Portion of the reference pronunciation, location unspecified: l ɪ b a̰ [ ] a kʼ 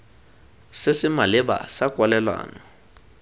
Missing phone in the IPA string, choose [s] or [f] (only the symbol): s